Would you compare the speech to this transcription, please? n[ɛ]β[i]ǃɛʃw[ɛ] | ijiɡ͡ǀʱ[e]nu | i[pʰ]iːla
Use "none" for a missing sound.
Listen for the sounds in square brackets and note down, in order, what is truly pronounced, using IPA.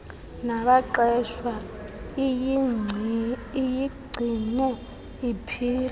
a, a, a, i, pʰ

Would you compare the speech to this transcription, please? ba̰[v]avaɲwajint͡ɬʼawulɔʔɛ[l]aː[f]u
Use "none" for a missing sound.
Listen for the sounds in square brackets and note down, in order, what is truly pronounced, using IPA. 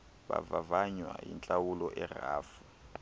v, r, f

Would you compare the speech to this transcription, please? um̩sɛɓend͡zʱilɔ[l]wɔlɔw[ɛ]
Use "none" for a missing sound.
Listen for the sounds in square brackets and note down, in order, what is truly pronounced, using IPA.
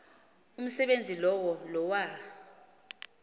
none, a

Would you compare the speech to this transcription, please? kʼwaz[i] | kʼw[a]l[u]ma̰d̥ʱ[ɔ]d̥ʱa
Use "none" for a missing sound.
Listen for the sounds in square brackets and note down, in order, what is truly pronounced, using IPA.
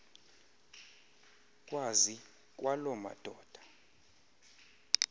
i, a, ɔ, ɔː

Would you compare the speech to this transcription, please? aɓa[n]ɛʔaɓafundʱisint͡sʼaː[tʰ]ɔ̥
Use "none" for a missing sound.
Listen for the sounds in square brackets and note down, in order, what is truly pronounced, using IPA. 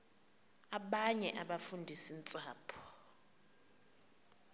ɲ, pʰ

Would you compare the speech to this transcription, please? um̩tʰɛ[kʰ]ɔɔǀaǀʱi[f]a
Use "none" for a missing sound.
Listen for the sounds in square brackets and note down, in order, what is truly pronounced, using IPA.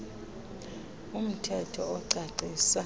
tʰ, s

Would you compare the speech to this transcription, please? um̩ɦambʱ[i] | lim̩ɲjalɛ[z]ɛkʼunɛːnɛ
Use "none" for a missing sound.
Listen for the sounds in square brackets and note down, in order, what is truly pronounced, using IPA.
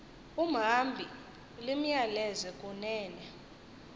i, z

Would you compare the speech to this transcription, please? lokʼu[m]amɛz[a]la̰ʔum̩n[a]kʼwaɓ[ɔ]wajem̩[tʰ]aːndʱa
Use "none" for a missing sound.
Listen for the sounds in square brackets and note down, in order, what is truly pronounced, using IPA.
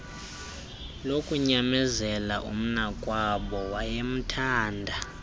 ɲ, ɛ, a, ɔ, tʰ

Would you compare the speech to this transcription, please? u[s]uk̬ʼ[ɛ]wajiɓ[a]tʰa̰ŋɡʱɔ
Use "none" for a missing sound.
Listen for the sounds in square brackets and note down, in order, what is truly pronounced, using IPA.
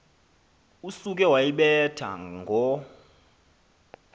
s, ɛ, ɛ

